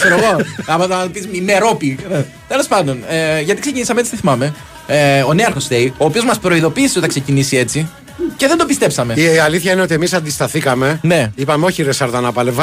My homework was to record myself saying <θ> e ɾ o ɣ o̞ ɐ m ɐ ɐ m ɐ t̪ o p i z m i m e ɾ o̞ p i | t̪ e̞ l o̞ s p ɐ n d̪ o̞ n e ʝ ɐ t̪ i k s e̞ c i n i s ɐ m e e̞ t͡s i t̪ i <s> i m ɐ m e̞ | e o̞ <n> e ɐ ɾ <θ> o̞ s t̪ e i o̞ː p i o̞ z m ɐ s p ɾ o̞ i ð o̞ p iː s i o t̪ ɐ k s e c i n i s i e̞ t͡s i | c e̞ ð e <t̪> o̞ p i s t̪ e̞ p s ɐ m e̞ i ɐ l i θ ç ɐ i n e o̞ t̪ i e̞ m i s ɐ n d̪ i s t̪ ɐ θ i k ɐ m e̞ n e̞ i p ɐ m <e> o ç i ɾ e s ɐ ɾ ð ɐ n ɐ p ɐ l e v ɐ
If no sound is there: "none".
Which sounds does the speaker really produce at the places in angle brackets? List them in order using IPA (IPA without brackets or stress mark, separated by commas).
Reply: s, θ, n, x, d̪, e